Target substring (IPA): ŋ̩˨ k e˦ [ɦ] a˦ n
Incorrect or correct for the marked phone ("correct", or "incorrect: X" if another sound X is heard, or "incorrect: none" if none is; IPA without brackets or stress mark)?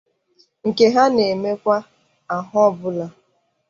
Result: correct